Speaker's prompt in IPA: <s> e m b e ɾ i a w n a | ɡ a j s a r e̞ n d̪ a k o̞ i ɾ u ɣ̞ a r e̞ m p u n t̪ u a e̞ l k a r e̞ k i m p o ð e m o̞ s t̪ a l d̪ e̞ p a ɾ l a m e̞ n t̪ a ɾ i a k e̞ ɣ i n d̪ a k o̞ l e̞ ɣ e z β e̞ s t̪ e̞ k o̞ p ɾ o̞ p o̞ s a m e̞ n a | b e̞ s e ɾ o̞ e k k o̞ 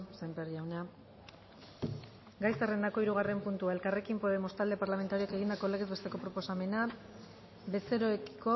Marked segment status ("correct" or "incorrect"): correct